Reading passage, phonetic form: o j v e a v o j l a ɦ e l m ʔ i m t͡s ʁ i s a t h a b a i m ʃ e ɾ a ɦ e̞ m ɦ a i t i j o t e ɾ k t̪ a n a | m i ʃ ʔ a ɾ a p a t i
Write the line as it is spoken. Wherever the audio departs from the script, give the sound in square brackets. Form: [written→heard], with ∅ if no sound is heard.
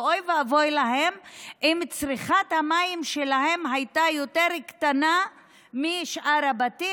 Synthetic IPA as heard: o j v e a v o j l a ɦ e [l→∅] m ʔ i m t͡s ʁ i [s→χ] a t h a [b→m] a i m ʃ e [ɾ→l] a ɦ e̞ m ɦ a [i→j] t [i→a] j o t e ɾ k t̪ a n a | m i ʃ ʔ a ɾ a [p→b] a t i